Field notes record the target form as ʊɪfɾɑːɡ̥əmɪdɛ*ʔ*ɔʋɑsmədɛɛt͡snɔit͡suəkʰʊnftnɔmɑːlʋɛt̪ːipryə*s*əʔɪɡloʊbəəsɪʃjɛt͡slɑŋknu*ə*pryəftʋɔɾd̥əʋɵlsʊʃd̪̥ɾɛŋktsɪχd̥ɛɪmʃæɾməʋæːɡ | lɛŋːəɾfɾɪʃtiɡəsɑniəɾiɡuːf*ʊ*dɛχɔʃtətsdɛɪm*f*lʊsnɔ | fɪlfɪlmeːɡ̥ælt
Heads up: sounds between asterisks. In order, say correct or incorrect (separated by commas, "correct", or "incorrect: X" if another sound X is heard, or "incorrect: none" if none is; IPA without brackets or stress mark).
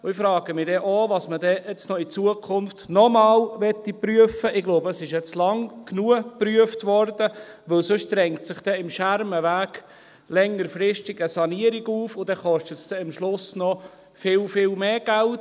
correct, incorrect: f, correct, correct, incorrect: ʃ